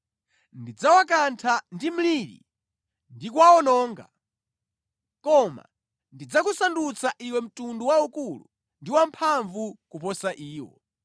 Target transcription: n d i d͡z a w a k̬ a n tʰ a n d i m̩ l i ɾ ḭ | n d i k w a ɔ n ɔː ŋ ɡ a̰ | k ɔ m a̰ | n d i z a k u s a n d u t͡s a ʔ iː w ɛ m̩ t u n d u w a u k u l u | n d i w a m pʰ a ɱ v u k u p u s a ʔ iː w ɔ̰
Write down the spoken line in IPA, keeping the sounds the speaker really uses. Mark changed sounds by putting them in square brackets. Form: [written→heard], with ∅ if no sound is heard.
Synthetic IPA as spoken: n d i d͡z a w a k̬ a n tʰ a n d i m̩ l i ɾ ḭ | n d i k w a ɔ n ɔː ŋ ɡ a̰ | k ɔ m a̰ | n d i [z→d͡z] a k u s a n d u t͡s a ʔ [iː→i] w ɛ m̩ t u n d u w a u k u l u | n d i w a m pʰ a ɱ v u k u p [u→ɔ] s a ʔ iː w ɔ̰